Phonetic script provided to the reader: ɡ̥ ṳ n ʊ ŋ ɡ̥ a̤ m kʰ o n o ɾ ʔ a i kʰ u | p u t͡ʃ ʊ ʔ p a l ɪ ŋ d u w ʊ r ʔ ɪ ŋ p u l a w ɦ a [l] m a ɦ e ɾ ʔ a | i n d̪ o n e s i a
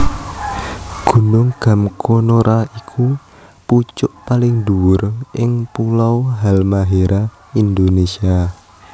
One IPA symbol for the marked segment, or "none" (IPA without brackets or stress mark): l